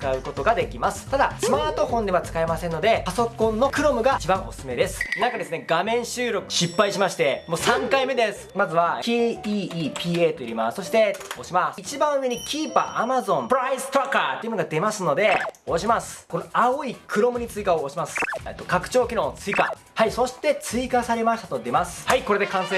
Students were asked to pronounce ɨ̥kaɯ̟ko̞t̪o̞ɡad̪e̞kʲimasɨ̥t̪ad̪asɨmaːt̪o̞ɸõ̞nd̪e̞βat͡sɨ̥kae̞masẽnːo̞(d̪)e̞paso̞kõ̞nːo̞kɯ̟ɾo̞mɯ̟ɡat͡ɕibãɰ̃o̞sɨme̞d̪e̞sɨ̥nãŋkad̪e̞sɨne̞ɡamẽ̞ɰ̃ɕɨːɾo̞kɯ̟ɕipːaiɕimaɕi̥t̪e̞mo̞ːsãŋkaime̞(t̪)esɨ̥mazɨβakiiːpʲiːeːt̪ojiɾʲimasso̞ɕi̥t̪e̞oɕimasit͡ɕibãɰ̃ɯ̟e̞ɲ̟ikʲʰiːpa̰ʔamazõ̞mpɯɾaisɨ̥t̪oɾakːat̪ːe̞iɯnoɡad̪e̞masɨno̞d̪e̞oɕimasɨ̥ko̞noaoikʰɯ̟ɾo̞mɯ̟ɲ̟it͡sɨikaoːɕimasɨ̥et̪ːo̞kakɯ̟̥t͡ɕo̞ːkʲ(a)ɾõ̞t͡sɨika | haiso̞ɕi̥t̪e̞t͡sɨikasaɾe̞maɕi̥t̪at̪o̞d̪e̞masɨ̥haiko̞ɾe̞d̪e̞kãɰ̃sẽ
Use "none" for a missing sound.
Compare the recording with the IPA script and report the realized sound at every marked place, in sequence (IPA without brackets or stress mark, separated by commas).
d̪, d̪, i